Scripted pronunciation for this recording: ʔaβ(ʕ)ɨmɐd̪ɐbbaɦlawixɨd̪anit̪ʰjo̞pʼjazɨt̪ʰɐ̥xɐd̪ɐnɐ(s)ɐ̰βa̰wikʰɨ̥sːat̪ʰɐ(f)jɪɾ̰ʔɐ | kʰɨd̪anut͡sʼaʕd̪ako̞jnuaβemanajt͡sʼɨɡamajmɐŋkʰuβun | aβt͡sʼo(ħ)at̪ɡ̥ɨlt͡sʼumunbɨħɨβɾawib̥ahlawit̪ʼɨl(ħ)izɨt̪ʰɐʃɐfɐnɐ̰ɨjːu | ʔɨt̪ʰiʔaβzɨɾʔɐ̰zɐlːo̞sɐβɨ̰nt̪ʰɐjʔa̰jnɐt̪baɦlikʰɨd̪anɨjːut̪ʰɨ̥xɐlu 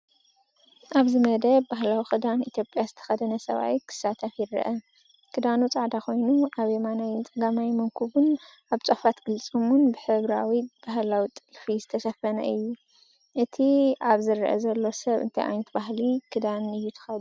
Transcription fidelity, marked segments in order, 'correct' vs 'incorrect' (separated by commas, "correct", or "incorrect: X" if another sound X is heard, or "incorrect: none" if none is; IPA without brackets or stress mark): incorrect: z, correct, correct, incorrect: f, incorrect: f